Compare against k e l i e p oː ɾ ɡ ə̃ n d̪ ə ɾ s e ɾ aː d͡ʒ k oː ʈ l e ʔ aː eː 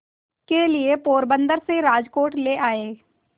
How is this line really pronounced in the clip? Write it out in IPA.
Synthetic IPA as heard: k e l i e p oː ɾ b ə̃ n d̪ ə ɾ s e ɾ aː d͡ʒ k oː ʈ l e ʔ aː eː